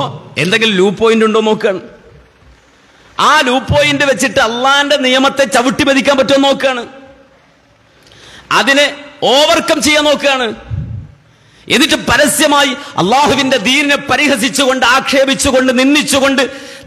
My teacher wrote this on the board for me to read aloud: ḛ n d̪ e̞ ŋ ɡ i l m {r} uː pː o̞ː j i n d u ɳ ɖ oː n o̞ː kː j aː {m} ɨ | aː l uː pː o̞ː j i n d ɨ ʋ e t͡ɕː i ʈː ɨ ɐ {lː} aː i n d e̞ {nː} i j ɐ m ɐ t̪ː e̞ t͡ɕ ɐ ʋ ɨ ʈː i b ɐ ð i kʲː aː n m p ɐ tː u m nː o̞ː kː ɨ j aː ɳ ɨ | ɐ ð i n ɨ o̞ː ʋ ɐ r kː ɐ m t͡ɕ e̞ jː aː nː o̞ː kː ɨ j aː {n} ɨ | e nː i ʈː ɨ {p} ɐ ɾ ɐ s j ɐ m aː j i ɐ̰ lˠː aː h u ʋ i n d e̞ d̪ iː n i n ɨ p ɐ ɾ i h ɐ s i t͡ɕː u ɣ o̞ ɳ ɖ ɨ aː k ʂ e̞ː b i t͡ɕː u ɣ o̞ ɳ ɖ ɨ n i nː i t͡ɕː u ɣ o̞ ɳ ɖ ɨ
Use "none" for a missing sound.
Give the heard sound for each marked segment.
l, ɳ, lː, n, ɳ, p

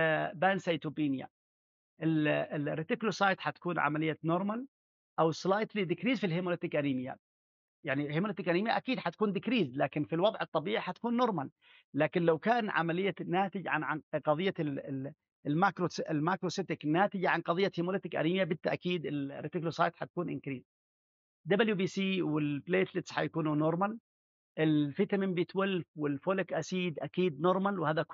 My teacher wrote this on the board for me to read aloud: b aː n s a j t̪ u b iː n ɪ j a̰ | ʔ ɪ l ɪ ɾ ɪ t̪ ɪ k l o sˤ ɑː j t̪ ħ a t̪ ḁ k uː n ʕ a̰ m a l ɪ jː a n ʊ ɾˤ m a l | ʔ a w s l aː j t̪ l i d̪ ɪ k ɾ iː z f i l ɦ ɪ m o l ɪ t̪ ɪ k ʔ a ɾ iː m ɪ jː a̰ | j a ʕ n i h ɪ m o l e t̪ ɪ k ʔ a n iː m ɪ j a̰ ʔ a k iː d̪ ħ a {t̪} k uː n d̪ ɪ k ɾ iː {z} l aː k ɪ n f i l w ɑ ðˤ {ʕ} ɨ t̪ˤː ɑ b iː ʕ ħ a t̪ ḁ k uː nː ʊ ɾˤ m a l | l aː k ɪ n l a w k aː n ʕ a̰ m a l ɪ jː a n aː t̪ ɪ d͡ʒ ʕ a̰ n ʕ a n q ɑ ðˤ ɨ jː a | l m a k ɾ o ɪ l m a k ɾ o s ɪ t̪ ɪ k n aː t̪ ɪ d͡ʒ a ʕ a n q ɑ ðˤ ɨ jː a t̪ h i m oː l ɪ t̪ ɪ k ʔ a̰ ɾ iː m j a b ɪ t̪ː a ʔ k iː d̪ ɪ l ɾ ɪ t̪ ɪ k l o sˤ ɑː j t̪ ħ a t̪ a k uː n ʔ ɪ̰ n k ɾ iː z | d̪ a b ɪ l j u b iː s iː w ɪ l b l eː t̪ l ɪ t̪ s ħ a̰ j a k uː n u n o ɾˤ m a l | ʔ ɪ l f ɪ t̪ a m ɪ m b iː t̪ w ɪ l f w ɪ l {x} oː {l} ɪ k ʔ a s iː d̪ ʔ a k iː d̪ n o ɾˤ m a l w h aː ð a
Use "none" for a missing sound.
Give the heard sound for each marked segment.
t̪, z, ʕ, f, l

